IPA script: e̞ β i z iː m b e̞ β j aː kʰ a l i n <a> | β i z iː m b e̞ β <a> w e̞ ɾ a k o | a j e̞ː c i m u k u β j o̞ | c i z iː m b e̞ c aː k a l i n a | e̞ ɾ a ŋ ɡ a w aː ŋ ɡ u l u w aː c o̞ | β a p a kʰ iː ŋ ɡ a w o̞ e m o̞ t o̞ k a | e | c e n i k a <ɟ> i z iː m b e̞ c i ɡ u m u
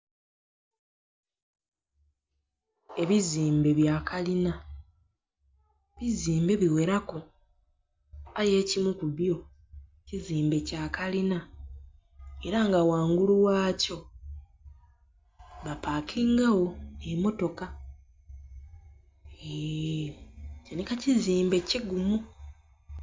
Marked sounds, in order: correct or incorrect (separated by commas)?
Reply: correct, incorrect, incorrect